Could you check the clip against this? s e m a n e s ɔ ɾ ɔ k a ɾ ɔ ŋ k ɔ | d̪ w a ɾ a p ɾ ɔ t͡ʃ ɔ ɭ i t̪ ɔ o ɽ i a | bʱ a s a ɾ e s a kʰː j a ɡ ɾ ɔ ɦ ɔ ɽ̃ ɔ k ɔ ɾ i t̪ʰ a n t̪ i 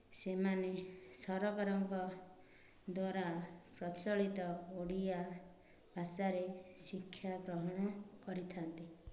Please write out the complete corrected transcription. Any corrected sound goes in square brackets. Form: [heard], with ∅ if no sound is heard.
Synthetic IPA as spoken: s e m a n e s ɔ ɾ ɔ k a ɾ ɔ ŋ k ɔ | d̪ w a ɾ a p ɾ ɔ t͡ʃ ɔ ɭ i t̪ ɔ o ɽ i a | bʱ a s a ɾ e s [i] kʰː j a ɡ ɾ ɔ ɦ ɔ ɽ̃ ɔ k ɔ ɾ i t̪ʰ a n t̪ i